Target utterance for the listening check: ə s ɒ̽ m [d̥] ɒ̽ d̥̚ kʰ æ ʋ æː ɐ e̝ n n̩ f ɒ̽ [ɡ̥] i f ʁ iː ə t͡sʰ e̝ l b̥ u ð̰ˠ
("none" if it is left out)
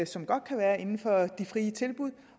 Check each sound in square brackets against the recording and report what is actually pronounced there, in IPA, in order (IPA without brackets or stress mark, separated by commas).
ɡ̥, d̥